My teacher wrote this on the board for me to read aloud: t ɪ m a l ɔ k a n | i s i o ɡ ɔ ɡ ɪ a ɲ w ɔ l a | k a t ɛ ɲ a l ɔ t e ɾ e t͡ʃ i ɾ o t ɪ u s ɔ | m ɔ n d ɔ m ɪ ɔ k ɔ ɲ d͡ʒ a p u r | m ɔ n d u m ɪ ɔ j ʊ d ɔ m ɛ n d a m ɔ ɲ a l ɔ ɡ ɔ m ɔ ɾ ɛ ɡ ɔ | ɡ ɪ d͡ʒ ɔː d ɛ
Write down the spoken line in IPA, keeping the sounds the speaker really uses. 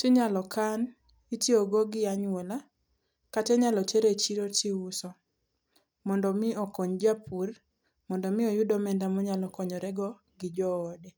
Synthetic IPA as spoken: t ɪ ɲ a l ɔ k a n | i t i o ɡ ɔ ɡ ɪ a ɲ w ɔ l a | k a t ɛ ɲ a l ɔ t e ɾ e t͡ʃ i ɾ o t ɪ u s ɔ | m ɔ n d ɔ m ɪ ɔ k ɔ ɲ d͡ʒ a p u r | m ɔ n d ɔ m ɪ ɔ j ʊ d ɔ m ɛ n d a m ɔ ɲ a l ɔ k ɔ ɲ ɔ ɾ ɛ ɡ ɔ | ɡ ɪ d͡ʒ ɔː d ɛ